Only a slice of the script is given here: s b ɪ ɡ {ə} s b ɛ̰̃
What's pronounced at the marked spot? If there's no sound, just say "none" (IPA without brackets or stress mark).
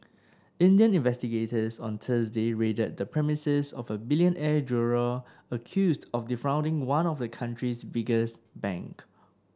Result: ə